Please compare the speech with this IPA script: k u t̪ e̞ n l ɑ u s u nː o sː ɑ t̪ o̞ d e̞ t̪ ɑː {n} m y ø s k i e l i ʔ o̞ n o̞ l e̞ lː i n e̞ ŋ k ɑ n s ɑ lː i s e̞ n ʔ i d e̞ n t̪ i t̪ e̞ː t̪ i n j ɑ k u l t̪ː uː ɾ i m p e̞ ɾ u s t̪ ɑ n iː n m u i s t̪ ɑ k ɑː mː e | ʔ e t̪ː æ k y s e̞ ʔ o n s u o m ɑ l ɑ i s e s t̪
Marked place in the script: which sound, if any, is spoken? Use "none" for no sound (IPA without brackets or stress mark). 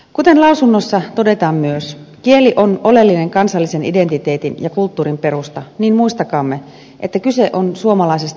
m